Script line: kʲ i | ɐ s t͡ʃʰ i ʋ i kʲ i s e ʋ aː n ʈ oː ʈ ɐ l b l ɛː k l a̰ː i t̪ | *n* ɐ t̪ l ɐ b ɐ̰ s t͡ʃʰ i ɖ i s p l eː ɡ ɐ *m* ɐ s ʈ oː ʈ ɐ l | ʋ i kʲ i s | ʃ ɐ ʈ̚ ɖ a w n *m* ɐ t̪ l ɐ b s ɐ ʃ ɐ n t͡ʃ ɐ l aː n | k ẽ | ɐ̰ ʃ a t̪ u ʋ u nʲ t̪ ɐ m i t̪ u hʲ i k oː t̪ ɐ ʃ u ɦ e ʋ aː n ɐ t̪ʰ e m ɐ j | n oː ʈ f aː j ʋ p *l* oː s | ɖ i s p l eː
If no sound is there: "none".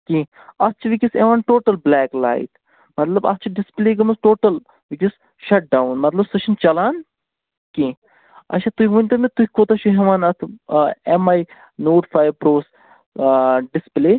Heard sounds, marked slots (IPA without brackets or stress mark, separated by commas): m, m, m, ɾ